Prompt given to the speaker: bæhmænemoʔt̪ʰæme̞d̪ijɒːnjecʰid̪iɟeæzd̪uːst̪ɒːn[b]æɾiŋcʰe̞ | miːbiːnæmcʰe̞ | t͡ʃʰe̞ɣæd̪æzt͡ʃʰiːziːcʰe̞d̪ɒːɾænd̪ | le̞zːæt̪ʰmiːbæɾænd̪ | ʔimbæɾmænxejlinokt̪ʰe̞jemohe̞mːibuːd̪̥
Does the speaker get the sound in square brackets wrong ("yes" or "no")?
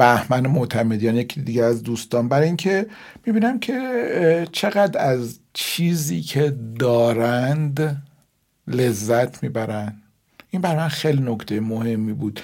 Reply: no